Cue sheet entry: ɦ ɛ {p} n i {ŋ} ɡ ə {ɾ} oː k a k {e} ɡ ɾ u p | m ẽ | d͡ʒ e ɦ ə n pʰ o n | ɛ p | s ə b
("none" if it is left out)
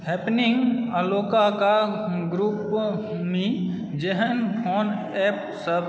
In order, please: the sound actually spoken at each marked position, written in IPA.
p, ŋ, l, a

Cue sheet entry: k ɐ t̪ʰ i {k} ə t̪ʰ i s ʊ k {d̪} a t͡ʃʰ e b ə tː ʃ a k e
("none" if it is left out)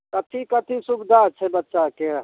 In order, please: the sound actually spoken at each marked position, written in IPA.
k, d̪

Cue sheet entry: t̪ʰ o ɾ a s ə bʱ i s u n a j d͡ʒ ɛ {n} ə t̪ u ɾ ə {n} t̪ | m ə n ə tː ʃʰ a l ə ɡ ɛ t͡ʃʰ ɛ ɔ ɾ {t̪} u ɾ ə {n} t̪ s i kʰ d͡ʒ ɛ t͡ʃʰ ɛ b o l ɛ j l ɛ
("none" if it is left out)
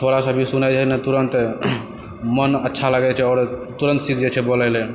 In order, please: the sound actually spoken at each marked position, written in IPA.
n, n, t̪, n

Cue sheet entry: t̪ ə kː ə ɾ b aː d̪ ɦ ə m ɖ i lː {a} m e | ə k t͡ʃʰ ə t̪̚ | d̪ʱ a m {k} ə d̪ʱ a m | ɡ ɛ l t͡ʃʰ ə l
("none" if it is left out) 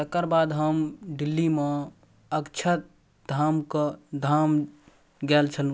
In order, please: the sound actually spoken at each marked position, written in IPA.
i, k

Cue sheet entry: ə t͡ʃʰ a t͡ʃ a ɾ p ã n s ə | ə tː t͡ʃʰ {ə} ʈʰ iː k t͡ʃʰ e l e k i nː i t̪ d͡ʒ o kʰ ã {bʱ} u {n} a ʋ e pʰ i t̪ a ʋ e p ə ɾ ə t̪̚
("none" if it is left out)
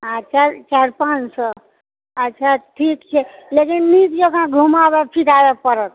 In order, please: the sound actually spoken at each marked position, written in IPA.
a, ɡʱ, m

